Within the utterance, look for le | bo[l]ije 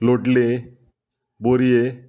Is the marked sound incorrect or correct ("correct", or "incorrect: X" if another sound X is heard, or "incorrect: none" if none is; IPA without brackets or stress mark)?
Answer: incorrect: ɾ